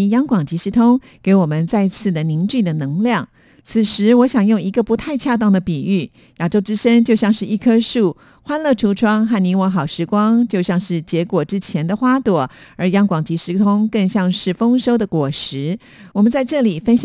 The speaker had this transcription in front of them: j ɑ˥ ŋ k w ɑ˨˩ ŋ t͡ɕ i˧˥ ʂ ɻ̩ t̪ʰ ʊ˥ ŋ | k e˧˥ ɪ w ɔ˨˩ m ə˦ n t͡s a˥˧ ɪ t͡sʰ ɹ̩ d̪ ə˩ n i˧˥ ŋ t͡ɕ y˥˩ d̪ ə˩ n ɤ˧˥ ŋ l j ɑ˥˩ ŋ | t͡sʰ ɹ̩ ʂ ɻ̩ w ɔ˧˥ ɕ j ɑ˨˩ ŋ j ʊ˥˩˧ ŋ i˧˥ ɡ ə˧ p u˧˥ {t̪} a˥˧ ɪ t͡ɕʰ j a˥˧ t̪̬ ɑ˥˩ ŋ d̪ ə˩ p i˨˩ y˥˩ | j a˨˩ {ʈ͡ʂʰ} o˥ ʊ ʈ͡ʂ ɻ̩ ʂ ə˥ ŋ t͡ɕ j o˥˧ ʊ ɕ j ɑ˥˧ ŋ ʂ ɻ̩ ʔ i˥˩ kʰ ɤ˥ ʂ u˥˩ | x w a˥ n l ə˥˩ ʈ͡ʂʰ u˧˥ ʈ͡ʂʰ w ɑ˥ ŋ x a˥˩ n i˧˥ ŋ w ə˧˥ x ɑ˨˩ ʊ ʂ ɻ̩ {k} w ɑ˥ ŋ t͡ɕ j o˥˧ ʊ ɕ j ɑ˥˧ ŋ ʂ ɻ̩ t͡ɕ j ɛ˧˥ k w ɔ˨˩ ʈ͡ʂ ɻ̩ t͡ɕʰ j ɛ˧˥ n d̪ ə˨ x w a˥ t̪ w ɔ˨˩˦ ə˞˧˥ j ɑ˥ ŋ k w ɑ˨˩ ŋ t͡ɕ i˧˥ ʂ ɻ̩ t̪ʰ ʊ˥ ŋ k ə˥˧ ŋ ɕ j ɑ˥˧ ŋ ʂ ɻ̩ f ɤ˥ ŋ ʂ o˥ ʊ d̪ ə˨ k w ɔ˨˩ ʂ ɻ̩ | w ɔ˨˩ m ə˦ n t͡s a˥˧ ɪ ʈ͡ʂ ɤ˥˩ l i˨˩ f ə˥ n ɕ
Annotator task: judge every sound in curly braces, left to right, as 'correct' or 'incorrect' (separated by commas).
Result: incorrect, incorrect, correct